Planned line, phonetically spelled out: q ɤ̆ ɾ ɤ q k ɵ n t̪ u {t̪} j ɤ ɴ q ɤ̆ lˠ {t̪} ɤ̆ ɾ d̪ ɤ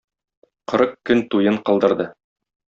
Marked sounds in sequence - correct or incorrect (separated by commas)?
incorrect, incorrect